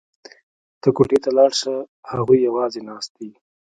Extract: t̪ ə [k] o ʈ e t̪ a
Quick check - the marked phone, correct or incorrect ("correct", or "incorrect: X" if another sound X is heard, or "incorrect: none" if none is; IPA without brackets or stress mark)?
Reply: correct